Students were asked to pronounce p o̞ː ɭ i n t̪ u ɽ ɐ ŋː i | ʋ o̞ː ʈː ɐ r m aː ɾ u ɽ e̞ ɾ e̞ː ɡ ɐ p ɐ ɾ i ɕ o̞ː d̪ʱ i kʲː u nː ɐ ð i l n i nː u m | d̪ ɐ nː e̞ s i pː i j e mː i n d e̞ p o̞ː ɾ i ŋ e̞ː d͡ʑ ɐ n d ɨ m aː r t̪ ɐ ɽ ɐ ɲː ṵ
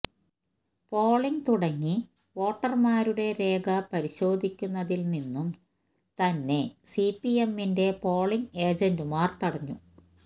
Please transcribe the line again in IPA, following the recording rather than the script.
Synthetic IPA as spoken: p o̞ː ɭ i ŋ t̪ u ɽ ɐ ŋː i | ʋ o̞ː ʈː ɐ r m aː ɾ u ɽ e̞ ɾ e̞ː ɡ ɐ p ɐ ɾ i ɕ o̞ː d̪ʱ i kʲː u nː ɐ ð i l n i nː u m | t̪ ɐ nː e̞ s i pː i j e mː i n d e̞ p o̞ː ɭ i ŋ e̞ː d͡ʑ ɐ n d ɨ m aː r t̪ ɐ ɽ ɐ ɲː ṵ

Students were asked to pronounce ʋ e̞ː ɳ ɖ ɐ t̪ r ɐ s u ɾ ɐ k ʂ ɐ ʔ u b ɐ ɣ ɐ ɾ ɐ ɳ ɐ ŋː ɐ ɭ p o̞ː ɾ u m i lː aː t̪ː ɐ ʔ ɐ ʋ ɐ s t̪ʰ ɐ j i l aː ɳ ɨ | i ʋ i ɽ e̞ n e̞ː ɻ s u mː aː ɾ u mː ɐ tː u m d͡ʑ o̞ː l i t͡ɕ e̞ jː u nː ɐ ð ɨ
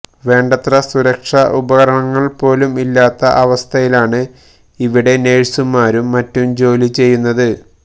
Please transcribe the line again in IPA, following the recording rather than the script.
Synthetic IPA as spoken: ʋ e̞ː ɳ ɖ ɐ t̪ r ɐ s u ɾ ɐ k ʂ ɐ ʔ u b ɐ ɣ ɐ ɾ ɐ ɳ ɐ ŋː ɐ ɭ p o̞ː l u m i lː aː t̪ː ɐ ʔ ɐ ʋ ɐ s t̪ʰ ɐ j i l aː ɳ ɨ | i ʋ i ɽ e̞ n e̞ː ɻ s u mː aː ɾ u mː ɐ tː u m d͡ʑ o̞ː l i t͡ɕ e̞ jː u nː ɐ ð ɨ

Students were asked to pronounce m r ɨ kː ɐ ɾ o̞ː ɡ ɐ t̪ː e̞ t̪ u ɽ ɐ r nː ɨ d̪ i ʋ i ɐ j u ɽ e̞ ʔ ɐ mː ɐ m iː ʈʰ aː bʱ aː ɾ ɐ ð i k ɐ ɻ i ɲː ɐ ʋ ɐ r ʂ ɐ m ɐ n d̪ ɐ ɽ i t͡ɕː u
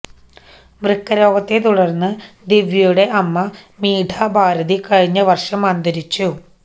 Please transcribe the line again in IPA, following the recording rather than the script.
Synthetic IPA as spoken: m r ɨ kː ɐ ɾ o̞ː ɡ ɐ t̪ː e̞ t̪ u ɽ ɐ r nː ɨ d̪ i ʋ j ɐ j u ɽ e̞ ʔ ɐ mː ɐ m iː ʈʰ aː bʱ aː ɾ ɐ ð i k ɐ ɻ i ɲː ɐ ʋ ɐ r ʂ ɐ m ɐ n d̪ ɐ ɾ i t͡ɕː u

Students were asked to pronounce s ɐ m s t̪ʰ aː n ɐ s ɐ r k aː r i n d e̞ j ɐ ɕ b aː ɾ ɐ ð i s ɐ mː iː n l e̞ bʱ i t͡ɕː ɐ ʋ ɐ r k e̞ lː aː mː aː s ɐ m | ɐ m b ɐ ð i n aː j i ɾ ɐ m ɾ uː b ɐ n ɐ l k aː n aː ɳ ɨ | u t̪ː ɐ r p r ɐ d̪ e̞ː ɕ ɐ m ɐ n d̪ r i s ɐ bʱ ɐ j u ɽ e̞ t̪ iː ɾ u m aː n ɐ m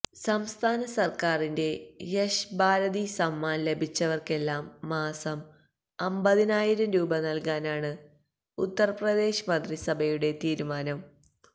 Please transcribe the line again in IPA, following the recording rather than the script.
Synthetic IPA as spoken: s ɐ m s t̪ʰ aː n ɐ s ɐ r k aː r i n d e̞ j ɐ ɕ b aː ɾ ɐ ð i s ɐ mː aː n l e̞ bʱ i t͡ɕː ɐ ʋ ɐ r k e̞ lː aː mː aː s ɐ m | ɐ m b ɐ ð i n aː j i ɾ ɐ m ɾ uː b ɐ n ɐ l k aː n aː ɳ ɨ | u t̪ː ɐ r p r ɐ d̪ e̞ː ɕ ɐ m ɐ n d̪ r i s ɐ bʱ ɐ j u ɽ e̞ t̪ iː ɾ u m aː n ɐ m

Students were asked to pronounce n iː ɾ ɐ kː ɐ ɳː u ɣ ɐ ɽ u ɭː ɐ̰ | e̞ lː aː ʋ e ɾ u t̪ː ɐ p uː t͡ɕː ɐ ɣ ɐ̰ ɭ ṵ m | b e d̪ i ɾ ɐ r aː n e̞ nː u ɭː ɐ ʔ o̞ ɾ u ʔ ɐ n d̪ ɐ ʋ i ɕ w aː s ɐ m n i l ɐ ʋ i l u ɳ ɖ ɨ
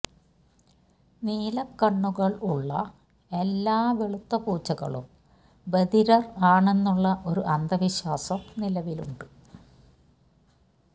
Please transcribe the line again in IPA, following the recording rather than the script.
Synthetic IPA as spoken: n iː l ɐ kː ɐ ɳː u ɣ ɐ ɭ u ɭː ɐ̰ | e̞ lː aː ʋ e ɭ u t̪ː ɐ p uː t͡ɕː ɐ ɣ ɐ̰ ɭ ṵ m | b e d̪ i ɾ ɐ r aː ɳ e̞ nː u ɭː ɐ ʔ o̞ ɾ u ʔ ɐ n d̪ ɐ ʋ i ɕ w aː s ɐ m n i l ɐ ʋ i l u ɳ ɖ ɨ

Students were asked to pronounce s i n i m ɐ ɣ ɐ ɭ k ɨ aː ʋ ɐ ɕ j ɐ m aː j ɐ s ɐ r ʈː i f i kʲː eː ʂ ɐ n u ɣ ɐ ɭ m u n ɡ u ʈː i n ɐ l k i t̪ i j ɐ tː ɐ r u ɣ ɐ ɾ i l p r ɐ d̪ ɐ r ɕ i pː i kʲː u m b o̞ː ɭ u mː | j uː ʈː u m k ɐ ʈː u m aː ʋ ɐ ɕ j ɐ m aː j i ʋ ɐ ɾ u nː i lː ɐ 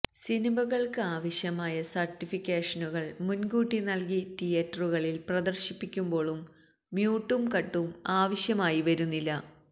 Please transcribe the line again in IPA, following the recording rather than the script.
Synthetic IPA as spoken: s i n i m ɐ ɣ ɐ ɭ k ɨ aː ʋ ɐ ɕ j ɐ m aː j ɐ s ɐ r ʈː i f i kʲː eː ʂ ɐ n u ɣ ɐ ɭ m u n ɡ uː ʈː i n ɐ l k i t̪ i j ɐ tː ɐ r u ɣ ɐ ɭ i l p r ɐ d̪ ɐ r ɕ i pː i kʲː u m b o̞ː ɭ u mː | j uː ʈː u m k ɐ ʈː u m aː ʋ ɐ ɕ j ɐ m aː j i ʋ ɐ ɾ u nː i lː ɐ

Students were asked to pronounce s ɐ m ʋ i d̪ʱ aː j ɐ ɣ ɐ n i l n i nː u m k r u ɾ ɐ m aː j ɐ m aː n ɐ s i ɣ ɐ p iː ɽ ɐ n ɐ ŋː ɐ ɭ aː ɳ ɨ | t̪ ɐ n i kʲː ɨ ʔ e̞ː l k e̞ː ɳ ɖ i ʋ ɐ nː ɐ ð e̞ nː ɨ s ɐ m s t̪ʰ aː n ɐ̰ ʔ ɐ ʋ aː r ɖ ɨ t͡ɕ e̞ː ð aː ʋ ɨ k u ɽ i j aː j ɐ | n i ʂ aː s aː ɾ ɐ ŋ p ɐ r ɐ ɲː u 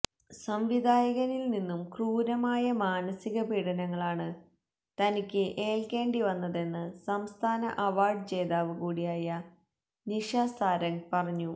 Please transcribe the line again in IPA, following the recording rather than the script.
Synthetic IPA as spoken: s ɐ m ʋ i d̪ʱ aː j ɐ ɣ ɐ n i l n i nː u m k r uː ɾ ɐ m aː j ɐ m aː n ɐ s i ɣ ɐ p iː ɽ ɐ n ɐ ŋː ɐ ɭ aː ɳ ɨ | t̪ ɐ n i kʲː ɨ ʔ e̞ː l k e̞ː ɳ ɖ i ʋ ɐ nː ɐ ð e̞ nː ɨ s ɐ m s t̪ʰ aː n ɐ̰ ʔ ɐ ʋ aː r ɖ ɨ t͡ɕ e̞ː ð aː ʋ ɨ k uː ɽ i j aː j ɐ | n i ʂ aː s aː ɾ ɐ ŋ p ɐ r ɐ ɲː u

